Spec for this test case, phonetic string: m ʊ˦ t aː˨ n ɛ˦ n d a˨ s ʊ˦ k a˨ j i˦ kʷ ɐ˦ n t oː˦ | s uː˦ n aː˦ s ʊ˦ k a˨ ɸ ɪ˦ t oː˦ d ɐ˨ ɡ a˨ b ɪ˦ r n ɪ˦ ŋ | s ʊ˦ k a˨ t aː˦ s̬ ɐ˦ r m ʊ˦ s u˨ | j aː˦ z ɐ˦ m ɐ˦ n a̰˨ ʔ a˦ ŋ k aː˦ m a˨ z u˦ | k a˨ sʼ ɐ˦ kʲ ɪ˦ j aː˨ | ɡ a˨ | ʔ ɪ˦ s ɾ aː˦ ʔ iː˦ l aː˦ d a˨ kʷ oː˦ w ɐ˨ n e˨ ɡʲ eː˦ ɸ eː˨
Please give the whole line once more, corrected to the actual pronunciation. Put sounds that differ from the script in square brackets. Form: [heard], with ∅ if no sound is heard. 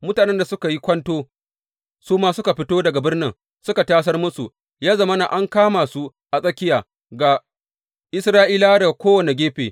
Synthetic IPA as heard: m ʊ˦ t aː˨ n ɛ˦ n d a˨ s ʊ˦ k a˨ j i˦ kʷ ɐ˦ n t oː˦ | s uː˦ [m] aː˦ s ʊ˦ k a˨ ɸ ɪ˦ t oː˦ d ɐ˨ ɡ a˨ b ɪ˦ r n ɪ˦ ŋ | s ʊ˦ k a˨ t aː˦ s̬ ɐ˦ r m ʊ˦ s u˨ | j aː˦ z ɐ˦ m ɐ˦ n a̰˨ ʔ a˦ ŋ k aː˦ m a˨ [s] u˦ | [ʔ] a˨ sʼ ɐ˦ kʲ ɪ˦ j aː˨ | ɡ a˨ | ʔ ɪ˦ s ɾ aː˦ ʔ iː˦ l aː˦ d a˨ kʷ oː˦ w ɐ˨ n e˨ ɡʲ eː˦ ɸ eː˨